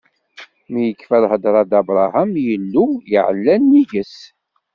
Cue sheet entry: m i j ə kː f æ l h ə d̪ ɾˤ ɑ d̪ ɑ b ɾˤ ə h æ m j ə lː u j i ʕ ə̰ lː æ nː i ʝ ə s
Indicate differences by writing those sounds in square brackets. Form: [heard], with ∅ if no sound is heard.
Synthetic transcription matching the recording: m i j ə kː f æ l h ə d̪ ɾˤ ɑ d̪ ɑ b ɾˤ [ɑ] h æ m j ə lː u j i ʕ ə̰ lː æ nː i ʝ ə s